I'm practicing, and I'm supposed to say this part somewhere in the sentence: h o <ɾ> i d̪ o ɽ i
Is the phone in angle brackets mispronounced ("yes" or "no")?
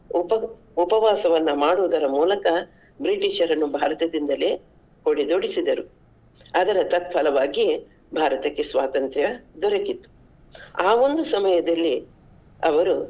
yes